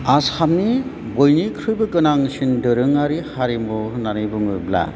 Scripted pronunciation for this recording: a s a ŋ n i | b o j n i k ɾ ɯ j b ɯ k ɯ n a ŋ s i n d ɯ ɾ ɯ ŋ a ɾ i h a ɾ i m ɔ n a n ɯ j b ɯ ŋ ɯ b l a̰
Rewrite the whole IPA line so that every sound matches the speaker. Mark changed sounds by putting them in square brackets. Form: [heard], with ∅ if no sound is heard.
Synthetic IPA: a s a [m] n i | b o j n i [kʰ] ɾ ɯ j b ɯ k ɯ n a ŋ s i n d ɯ ɾ ɯ ŋ a ɾ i h a ɾ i m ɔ n a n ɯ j b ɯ ŋ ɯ b l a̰